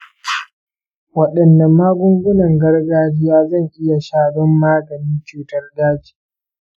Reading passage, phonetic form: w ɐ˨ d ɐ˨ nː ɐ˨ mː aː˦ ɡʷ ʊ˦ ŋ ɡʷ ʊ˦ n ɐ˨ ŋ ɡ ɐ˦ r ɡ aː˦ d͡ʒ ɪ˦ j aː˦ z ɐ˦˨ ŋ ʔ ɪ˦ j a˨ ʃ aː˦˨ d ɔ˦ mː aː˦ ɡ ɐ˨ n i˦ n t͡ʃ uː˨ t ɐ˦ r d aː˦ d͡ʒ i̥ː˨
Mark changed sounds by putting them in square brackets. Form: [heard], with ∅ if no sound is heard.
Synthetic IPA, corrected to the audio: w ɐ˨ [ɗ] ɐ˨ nː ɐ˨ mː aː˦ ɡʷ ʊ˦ ŋ ɡʷ ʊ˦ n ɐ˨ ŋ ɡ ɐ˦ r ɡ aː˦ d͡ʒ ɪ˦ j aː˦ z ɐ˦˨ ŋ ʔ ɪ˦ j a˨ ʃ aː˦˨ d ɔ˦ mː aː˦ ɡ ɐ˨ n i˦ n t͡ʃ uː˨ t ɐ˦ r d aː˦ d͡ʒ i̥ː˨